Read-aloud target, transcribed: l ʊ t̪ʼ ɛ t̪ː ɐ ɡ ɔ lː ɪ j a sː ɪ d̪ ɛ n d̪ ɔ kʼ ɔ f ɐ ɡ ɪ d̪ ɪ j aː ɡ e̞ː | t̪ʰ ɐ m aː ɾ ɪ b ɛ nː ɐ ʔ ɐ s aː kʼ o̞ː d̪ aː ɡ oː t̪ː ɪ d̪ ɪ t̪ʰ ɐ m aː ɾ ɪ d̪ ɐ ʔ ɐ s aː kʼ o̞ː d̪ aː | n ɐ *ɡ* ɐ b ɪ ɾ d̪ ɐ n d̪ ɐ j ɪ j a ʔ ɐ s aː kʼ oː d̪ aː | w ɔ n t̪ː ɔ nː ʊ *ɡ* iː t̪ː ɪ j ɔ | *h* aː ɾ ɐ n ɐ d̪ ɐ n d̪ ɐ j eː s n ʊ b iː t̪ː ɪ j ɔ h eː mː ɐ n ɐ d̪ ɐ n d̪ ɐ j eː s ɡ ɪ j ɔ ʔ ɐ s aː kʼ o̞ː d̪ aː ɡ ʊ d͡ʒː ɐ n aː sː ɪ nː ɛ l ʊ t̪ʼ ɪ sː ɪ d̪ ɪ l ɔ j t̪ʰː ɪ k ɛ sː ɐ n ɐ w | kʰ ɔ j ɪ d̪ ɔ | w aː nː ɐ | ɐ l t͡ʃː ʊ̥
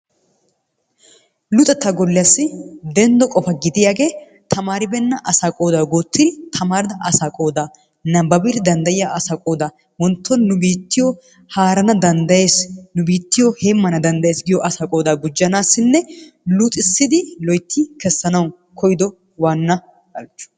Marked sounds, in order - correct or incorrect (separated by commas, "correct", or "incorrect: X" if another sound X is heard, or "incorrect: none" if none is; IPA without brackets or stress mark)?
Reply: incorrect: b, incorrect: b, correct